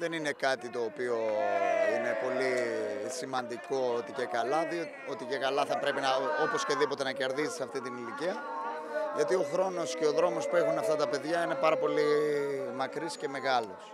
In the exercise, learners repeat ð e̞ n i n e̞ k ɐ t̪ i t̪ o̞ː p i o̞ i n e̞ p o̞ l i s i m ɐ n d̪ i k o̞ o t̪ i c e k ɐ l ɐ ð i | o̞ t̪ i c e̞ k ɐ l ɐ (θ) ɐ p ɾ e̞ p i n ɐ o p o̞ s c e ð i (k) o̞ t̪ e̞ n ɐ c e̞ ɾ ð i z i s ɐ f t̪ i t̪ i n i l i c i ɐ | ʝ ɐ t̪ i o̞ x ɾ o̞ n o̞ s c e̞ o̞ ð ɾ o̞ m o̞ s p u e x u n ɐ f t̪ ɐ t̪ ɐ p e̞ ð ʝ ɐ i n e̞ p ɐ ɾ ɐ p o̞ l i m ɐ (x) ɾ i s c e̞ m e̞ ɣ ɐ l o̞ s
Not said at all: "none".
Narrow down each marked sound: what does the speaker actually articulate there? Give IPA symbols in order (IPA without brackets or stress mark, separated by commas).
θ, p, k